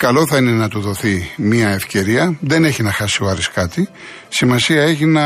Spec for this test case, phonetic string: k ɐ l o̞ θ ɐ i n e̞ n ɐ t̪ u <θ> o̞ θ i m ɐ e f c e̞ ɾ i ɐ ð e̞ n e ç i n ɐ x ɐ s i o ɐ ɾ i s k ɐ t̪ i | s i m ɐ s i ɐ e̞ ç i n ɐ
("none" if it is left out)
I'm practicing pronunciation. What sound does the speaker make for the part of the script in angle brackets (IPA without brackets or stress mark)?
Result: ð